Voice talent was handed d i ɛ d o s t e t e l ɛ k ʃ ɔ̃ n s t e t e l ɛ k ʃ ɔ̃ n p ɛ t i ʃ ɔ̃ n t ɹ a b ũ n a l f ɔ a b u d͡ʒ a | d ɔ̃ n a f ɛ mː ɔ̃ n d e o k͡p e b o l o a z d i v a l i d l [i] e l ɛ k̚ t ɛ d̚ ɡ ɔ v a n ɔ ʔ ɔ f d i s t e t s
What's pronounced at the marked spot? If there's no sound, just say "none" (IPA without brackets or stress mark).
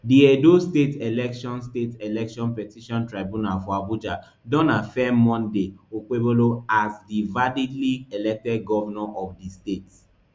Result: i